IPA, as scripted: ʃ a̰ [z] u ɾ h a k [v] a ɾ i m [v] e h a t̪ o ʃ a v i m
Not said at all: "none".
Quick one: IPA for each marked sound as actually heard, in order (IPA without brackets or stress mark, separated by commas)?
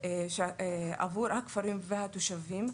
v, f, v